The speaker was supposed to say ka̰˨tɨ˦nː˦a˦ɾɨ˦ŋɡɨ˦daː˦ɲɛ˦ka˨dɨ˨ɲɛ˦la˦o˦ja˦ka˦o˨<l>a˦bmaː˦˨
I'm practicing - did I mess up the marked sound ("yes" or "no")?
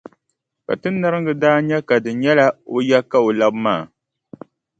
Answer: no